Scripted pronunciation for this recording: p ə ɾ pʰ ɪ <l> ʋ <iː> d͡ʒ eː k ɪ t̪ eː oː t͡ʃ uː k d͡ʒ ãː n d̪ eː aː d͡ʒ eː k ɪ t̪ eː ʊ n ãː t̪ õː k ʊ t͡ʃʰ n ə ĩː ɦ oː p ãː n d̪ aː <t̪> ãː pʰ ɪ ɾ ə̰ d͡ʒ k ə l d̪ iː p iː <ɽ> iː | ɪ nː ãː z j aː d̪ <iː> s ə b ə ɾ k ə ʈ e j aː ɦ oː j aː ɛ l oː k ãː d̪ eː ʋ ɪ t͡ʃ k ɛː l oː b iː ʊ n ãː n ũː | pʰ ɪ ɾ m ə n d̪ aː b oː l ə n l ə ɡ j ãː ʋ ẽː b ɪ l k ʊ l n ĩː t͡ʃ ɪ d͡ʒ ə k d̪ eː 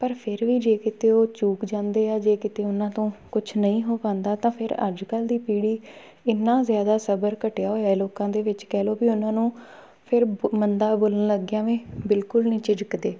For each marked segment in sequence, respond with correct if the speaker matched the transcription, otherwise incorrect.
incorrect: ɾ, correct, correct, correct, incorrect: aː

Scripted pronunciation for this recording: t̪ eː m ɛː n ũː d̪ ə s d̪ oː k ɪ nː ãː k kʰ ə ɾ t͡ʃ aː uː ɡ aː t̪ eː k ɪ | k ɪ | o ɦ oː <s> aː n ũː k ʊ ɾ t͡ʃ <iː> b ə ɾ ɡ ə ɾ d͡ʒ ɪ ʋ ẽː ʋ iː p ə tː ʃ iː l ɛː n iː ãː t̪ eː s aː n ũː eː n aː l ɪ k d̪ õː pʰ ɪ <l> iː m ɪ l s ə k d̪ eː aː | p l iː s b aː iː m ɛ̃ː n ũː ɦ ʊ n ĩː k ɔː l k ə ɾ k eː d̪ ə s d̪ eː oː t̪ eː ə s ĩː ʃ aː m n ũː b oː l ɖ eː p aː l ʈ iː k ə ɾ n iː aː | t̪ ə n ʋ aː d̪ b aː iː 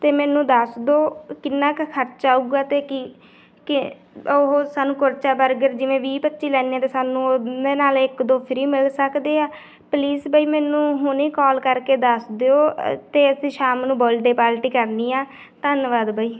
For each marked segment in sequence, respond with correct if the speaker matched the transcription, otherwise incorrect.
correct, incorrect: aː, incorrect: ɾ

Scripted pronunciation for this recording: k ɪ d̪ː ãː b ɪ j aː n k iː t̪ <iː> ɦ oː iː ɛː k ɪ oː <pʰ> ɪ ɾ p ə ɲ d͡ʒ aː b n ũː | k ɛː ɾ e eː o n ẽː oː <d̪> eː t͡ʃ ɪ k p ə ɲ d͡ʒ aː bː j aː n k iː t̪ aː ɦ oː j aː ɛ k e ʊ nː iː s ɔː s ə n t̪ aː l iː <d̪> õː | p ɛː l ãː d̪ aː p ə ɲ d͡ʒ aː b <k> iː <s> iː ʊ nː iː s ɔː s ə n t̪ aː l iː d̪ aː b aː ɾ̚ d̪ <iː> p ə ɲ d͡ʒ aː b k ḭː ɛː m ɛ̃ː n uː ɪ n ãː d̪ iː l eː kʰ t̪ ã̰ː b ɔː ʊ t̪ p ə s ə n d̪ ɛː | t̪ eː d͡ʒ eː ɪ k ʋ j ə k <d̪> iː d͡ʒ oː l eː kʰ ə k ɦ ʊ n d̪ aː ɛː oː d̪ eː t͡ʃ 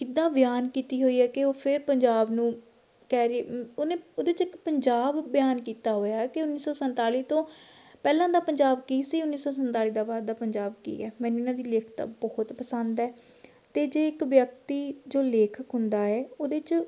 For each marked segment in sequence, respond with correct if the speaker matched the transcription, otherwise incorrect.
correct, correct, correct, incorrect: t̪, correct, correct, incorrect: aː, incorrect: t̪

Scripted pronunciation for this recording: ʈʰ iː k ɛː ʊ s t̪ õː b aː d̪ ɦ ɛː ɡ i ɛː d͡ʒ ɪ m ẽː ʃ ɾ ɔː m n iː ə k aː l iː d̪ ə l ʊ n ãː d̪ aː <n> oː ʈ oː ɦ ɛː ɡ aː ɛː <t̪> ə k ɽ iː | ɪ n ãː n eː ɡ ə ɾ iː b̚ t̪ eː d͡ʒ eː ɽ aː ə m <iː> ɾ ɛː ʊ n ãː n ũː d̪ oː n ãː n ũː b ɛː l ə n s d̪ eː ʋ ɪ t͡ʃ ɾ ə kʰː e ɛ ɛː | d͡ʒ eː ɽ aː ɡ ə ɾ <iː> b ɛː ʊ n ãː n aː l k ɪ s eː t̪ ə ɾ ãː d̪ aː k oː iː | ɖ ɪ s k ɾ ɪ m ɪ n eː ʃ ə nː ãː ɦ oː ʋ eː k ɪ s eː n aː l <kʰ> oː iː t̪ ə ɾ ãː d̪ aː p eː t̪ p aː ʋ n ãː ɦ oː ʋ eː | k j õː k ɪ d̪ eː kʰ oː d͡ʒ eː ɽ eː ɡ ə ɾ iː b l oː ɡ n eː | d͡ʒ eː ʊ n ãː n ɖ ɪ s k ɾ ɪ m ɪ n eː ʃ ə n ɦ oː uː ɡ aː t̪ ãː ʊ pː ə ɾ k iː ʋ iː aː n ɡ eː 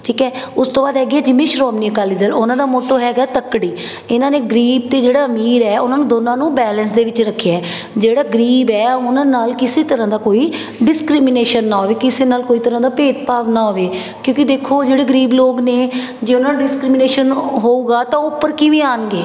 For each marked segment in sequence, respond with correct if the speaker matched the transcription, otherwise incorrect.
incorrect: m, correct, correct, correct, incorrect: k

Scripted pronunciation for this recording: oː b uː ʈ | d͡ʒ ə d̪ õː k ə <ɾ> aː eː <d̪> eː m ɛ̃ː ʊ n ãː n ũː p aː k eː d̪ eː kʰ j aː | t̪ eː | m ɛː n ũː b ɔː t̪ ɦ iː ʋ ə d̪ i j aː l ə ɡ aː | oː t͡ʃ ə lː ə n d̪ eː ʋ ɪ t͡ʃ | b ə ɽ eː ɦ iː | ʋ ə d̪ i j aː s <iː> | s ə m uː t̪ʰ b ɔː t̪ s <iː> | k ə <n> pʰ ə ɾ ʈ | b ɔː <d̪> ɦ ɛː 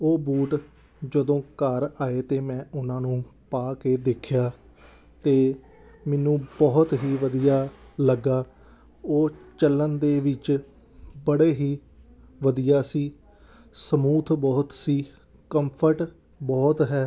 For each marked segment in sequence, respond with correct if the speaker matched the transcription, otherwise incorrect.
correct, incorrect: t̪, correct, correct, incorrect: m, incorrect: t̪

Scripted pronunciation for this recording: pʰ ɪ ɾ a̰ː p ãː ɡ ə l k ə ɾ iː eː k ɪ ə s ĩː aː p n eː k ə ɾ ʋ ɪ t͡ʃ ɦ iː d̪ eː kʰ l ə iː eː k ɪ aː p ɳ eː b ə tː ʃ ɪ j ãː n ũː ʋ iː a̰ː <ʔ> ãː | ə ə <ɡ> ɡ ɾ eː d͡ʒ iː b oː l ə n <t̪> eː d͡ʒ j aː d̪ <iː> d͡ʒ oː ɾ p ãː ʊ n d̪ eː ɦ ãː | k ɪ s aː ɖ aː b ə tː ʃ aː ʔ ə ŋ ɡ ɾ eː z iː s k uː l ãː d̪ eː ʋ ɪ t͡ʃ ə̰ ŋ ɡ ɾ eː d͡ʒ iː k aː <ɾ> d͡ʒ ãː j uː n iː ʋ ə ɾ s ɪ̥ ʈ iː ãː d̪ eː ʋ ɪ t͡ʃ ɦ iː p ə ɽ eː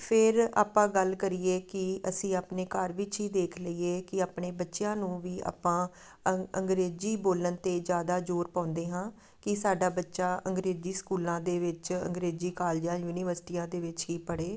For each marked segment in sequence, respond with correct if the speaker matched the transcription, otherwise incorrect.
incorrect: p, incorrect: ŋ, correct, incorrect: aː, incorrect: l

